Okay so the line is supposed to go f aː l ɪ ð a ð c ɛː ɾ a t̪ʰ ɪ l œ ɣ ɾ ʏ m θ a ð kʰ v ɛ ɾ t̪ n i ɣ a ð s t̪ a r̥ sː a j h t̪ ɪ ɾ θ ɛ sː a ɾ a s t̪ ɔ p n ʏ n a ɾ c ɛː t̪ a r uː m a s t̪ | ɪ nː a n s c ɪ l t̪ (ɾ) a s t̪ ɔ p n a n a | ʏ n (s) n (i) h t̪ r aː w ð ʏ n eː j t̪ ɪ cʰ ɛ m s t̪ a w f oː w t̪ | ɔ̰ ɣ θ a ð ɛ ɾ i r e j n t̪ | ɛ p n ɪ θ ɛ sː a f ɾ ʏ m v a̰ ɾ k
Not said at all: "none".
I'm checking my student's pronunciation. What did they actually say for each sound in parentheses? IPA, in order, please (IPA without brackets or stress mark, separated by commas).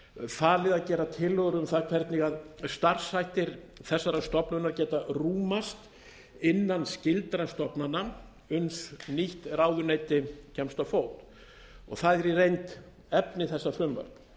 ɾ, s, i